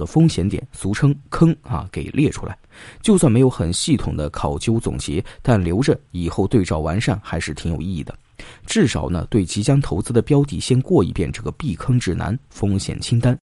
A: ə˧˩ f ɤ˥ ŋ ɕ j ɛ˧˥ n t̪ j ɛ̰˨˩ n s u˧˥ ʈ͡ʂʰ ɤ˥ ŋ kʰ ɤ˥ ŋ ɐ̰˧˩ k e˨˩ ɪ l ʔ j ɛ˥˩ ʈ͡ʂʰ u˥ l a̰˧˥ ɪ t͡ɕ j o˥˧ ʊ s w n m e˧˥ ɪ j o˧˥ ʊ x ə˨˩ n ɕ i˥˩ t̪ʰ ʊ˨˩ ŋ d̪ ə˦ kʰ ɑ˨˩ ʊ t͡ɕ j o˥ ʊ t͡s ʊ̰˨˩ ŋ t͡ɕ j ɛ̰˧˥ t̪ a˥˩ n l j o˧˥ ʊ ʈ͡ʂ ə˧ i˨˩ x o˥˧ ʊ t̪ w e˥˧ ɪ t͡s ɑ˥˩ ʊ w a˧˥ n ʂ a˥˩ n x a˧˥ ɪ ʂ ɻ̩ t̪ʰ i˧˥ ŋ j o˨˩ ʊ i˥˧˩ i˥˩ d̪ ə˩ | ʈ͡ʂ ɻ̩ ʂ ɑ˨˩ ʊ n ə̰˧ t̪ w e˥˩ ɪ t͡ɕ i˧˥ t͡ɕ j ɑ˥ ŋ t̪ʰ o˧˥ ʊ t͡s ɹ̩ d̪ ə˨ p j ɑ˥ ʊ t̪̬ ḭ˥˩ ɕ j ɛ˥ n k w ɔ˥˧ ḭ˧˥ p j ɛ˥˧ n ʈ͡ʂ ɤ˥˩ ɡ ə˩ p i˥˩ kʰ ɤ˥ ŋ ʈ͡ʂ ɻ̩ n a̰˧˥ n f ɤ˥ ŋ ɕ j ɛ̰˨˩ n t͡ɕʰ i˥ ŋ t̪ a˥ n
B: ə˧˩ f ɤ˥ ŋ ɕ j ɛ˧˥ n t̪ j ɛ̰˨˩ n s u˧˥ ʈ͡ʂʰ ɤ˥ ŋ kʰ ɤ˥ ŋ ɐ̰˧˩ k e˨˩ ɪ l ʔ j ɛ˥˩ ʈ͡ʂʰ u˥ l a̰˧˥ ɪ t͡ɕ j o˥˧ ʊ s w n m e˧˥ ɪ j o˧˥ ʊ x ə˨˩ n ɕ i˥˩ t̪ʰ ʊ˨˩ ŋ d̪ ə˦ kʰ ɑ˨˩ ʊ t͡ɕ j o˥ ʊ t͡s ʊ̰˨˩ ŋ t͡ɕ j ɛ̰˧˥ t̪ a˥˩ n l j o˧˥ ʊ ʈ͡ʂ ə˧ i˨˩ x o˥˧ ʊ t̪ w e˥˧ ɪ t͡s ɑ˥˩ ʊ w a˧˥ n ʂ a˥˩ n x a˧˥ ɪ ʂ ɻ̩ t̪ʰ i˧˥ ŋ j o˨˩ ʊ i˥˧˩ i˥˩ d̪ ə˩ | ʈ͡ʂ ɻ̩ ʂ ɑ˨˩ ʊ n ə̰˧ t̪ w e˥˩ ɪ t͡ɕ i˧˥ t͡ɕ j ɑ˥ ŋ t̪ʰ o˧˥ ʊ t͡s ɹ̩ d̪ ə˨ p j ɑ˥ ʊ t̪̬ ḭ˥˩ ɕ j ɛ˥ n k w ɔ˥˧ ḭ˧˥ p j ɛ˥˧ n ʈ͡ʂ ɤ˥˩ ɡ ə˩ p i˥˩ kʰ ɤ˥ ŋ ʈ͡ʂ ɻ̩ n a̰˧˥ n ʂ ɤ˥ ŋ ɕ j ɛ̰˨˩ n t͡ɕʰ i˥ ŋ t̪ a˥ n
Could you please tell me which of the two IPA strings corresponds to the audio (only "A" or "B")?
A